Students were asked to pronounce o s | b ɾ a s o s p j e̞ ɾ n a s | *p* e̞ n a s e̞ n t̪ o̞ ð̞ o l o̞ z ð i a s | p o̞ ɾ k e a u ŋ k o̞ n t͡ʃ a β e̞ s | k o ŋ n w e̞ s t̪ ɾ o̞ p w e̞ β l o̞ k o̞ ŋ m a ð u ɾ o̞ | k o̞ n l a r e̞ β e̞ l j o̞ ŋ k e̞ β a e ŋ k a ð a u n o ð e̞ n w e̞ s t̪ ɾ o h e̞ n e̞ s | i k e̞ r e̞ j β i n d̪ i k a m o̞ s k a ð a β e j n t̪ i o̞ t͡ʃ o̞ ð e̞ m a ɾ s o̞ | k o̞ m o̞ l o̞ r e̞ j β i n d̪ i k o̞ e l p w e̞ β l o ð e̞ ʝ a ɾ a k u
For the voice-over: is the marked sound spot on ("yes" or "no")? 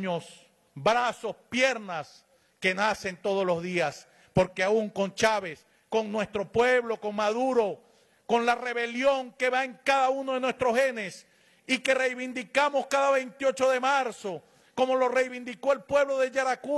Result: no